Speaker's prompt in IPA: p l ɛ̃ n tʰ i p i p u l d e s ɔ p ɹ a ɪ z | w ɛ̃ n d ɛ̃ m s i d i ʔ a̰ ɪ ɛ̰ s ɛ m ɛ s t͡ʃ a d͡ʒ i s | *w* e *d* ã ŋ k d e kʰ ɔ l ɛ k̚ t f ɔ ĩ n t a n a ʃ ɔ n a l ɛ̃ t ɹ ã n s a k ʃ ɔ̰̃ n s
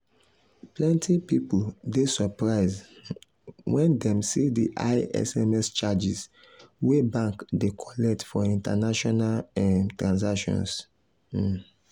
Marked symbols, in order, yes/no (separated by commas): yes, no